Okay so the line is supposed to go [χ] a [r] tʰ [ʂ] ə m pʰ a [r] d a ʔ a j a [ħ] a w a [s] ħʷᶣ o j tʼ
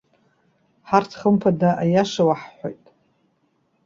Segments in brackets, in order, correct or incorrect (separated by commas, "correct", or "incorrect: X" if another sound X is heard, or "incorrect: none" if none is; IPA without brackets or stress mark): incorrect: ħ, correct, incorrect: χ, incorrect: none, incorrect: ʂ, incorrect: ħ